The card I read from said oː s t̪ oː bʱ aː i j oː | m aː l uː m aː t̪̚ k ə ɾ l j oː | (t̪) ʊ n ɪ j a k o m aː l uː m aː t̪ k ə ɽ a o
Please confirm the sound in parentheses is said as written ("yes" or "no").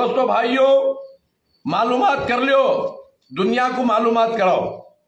no